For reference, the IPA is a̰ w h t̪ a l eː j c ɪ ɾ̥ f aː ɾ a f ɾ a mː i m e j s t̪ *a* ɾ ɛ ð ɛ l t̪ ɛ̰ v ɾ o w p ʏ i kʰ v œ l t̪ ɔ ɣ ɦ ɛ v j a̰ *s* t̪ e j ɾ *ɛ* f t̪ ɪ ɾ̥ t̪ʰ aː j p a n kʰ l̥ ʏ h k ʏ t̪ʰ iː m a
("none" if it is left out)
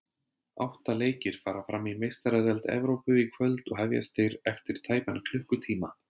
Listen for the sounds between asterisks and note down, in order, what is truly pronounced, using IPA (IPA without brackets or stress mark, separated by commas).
a, s, ɛ